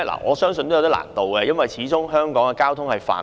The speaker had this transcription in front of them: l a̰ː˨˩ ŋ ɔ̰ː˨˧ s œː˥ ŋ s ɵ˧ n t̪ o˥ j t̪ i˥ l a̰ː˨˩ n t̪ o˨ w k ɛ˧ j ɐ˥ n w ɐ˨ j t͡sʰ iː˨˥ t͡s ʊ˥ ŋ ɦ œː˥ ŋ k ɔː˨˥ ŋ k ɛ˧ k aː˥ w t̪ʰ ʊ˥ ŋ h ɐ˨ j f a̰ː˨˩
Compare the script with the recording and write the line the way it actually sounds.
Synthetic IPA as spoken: l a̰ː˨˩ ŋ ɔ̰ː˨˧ s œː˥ ŋ s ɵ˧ n t̪ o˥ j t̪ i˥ l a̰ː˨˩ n t̪ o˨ w k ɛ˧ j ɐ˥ n w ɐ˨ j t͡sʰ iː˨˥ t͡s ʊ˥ ŋ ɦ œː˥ ŋ k ɔː˨˥ ŋ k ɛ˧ k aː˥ w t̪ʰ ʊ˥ ŋ h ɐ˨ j f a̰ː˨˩

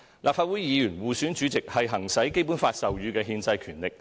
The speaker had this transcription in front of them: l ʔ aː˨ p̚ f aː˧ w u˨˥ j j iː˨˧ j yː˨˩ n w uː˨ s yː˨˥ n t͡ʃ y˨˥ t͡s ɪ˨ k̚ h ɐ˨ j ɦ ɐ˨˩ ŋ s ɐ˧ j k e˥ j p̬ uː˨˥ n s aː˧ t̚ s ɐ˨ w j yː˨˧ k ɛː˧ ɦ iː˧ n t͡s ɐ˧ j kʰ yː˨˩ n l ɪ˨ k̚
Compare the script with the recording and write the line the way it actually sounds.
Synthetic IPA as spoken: l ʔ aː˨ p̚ f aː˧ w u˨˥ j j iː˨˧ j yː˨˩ n w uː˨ s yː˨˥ n t͡ʃ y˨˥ t͡s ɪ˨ k̚ h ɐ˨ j ɦ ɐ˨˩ ŋ s ɐ˨˥ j k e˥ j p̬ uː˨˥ n f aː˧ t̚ s ɐ˨ w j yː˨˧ k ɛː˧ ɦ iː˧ n t͡s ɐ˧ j kʰ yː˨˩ n l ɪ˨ k̚

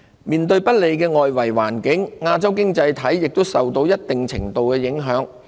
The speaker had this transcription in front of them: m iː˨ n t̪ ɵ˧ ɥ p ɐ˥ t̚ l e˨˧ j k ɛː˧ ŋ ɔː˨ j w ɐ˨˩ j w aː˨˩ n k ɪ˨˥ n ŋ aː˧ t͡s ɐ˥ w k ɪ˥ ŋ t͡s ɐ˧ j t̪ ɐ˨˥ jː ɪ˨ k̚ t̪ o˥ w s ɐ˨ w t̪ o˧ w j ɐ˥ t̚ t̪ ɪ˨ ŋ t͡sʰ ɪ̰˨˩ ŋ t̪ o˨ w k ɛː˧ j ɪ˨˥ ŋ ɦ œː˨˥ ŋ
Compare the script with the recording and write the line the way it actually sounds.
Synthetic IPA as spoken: m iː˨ n t̪ ɵ˧ ɥ p ɐ˥ t̚ l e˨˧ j k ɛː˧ ŋ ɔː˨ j w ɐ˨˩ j w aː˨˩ n k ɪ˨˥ ŋ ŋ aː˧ t͡s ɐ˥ w k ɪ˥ ŋ t͡s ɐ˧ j t̪ʰ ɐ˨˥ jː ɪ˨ k̚ t̪ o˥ w s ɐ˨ w t̪ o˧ w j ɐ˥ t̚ t̪ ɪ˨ ŋ t͡sʰ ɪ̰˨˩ ŋ t̪ o˨ w k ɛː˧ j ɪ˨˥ ŋ ɦ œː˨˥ ŋ

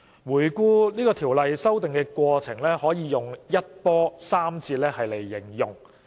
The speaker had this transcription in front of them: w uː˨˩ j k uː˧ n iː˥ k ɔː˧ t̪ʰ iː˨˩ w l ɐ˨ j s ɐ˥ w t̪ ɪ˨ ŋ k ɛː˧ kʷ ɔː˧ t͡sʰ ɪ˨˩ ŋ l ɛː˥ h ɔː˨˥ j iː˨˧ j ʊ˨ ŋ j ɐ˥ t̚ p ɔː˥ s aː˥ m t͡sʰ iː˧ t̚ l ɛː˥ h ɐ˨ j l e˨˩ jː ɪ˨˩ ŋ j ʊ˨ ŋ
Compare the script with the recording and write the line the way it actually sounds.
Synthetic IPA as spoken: w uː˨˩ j k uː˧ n iː˥ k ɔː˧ t̪ʰ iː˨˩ w l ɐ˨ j s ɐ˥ w t̪ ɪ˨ ŋ k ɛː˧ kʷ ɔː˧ t͡sʰ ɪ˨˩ ŋ l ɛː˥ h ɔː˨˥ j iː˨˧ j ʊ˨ ŋ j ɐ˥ t̚ p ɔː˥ s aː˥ m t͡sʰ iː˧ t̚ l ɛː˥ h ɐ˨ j l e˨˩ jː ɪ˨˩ ŋ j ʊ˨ ŋ

